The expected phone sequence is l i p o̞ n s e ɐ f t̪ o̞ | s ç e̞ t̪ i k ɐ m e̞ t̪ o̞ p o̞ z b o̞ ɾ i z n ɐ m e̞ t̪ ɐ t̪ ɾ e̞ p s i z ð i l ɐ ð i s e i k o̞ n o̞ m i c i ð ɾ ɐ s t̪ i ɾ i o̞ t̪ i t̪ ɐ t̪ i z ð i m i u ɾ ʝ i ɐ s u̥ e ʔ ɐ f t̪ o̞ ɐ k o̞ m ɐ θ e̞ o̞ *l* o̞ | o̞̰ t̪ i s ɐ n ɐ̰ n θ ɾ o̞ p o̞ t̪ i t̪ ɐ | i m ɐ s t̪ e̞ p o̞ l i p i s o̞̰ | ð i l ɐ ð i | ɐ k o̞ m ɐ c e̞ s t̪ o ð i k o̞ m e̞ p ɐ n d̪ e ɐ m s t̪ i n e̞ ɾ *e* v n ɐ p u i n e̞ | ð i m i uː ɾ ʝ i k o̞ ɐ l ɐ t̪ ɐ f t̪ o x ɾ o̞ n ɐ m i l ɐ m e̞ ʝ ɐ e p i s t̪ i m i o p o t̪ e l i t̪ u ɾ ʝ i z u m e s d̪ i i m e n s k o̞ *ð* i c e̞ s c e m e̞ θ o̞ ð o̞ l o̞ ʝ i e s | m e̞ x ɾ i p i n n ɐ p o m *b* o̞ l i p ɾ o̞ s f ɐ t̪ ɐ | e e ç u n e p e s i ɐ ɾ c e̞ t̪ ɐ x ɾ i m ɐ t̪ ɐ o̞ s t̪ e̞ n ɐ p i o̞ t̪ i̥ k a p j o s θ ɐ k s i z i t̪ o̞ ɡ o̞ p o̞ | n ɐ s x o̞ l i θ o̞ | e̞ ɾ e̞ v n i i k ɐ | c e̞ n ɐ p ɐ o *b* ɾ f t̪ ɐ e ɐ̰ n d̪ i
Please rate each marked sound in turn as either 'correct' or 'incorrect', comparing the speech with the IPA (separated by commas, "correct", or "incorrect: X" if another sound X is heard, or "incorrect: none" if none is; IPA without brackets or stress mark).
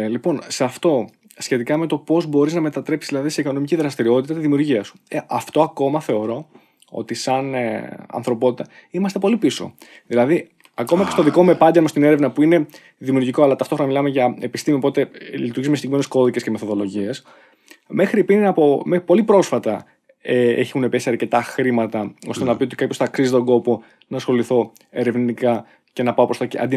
incorrect: ɾ, correct, correct, incorrect: p, incorrect: p